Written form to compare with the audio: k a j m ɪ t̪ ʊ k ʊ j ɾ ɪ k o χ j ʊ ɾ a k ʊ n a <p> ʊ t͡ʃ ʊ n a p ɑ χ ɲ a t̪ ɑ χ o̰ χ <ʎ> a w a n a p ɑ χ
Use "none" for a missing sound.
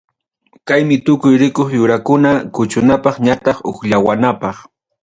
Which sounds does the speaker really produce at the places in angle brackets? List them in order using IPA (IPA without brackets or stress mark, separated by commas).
k, ʎ